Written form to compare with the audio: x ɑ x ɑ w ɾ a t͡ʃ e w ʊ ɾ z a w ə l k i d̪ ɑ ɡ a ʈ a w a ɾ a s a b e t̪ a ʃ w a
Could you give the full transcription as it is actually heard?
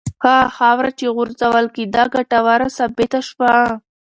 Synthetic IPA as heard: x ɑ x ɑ w ɾ a t͡ʃ e ɣ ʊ ɾ z a w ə l k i d̪ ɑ ɡ a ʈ a w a ɾ a s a b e t̪ a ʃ w a

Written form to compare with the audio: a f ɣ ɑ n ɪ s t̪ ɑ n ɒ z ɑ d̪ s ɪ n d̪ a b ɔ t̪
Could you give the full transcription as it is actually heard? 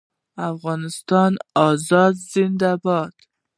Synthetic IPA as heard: a f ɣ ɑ n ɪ s t̪ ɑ n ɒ z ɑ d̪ z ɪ n d̪ a b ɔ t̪

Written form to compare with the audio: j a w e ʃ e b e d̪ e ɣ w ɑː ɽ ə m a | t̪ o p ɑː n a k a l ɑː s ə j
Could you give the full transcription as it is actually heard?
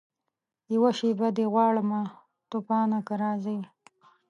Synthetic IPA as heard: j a w a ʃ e b a d̪ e ɣ w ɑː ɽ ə m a | t̪ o p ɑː n a k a ɾ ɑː z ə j

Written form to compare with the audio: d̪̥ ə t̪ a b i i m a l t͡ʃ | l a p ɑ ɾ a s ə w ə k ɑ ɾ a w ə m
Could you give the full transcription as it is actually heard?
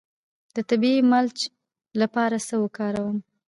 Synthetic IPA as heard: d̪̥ ə t̪ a b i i m a l t͡ʃ | l a p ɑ ɾ a s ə w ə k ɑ ɾ a w ə m

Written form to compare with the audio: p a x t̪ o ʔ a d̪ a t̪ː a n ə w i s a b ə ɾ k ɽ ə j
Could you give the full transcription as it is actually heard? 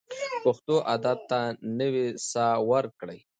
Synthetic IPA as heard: p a x t̪ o ʔ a d̪ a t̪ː a n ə w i s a w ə ɾ k ɽ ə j

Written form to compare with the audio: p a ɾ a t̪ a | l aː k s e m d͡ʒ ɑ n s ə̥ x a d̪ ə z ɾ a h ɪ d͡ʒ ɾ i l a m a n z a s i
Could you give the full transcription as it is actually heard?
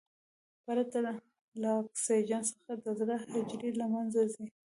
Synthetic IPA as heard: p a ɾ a t̪ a | l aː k s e d͡ʒ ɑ n s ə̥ x a d̪ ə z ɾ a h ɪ d͡ʒ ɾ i l a m a n z a z i

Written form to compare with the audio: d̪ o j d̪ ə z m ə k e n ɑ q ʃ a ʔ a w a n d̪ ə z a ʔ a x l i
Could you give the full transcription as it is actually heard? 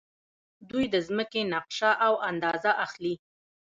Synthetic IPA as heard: d̪ u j d̪ ə z m ə k e n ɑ q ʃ a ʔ a w a n d̪ ɑ z a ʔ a x l i

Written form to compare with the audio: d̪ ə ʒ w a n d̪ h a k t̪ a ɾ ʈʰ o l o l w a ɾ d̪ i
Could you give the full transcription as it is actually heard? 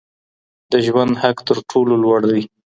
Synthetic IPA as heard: d̪ ə ʒ w a n d̪ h a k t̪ ə ɾ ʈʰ o l o l w a ɽ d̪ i

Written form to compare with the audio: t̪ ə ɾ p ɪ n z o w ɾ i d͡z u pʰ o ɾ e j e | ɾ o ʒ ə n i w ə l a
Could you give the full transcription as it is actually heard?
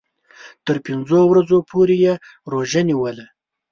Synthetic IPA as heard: t̪ ə ɾ p ɪ n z o w ɾ a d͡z o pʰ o ɾ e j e | ɾ o ʒ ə n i w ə l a

